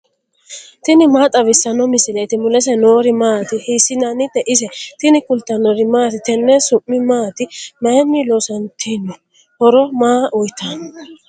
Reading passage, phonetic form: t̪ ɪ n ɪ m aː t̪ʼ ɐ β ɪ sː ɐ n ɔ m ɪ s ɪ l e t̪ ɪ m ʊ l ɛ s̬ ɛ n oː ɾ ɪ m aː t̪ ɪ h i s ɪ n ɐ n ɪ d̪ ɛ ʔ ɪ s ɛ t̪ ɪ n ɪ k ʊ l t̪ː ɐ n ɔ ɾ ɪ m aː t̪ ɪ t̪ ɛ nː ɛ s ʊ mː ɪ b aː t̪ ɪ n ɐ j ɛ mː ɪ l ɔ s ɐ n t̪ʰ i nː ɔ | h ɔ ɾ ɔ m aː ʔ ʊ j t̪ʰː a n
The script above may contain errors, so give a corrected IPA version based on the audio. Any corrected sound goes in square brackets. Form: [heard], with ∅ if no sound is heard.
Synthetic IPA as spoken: t̪ ɪ n ɪ m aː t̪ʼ ɐ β ɪ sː ɐ n ɔ m ɪ s ɪ l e t̪ ɪ m ʊ l ɛ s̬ ɛ n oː ɾ ɪ m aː t̪ ɪ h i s ɪ n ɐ n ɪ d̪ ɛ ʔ ɪ s ɛ t̪ ɪ n ɪ k ʊ l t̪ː ɐ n ɔ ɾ ɪ m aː t̪ ɪ t̪ ɛ nː ɛ s ʊ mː ɪ [m] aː t̪ ɪ [m] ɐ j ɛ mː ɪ l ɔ s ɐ n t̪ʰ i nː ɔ | h ɔ ɾ ɔ m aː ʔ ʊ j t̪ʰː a n